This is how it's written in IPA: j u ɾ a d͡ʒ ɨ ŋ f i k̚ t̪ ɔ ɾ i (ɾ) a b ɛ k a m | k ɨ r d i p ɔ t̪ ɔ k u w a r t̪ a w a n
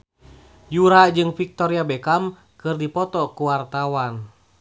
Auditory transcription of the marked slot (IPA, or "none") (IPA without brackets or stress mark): none